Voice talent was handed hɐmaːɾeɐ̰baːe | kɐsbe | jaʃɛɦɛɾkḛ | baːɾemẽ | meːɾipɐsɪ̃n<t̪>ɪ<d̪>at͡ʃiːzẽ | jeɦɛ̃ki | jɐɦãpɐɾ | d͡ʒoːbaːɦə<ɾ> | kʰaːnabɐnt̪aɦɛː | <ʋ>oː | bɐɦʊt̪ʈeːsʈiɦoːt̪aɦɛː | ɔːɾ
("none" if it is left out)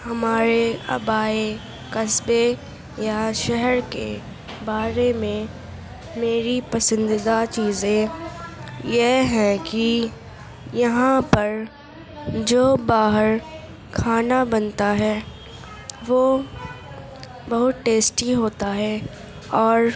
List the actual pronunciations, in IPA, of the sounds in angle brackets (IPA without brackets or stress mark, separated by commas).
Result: d̪, d̪, ɾ, ʋ